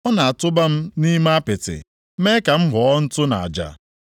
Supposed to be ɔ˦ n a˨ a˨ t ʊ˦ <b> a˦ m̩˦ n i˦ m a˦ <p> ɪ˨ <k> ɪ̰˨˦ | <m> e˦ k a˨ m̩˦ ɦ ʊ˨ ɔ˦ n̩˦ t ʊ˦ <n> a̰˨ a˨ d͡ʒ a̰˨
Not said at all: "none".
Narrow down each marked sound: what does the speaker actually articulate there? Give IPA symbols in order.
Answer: b, p, t, m, n

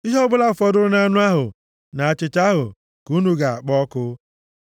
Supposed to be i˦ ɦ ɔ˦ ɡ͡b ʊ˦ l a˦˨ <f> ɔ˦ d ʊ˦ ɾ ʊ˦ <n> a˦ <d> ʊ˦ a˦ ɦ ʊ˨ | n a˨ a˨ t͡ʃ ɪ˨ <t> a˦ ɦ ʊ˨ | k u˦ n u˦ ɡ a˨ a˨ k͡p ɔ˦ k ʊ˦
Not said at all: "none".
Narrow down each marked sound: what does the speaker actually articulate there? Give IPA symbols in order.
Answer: f, n, n, t

